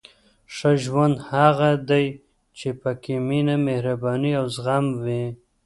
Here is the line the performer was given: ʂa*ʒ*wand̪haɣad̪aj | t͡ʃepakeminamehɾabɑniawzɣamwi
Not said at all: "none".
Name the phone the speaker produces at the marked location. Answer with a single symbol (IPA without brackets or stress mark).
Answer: ʒ